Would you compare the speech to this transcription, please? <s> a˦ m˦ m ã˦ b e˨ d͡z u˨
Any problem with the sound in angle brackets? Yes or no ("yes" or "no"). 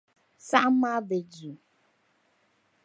no